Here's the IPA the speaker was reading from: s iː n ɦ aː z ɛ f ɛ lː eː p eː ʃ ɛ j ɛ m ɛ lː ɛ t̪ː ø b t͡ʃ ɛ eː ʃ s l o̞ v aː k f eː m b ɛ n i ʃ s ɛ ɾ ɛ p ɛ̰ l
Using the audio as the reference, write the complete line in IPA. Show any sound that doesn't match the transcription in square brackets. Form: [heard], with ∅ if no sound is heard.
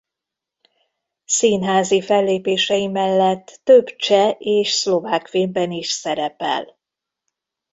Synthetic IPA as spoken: s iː n ɦ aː z [i] f ɛ lː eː p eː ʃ ɛ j [i] m ɛ lː ɛ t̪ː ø b t͡ʃ ɛ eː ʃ s l o̞ v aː k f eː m b ɛ n i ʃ s ɛ ɾ ɛ p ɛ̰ l